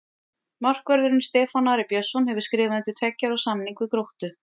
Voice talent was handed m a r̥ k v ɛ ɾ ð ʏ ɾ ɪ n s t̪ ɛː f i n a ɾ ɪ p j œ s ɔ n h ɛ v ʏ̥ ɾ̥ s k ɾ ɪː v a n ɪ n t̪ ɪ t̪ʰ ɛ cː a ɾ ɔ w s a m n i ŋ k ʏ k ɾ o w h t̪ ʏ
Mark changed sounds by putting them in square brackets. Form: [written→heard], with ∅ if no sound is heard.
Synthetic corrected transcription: m a r̥ k v [ɛ→œ] ɾ ð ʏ ɾ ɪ n s t̪ ɛː f [i→a] n a ɾ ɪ p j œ s ɔ n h ɛ v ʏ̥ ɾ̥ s k ɾ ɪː v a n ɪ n t̪ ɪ t̪ʰ ɛ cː a ɾ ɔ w s a m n i ŋ k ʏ k ɾ o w h t̪ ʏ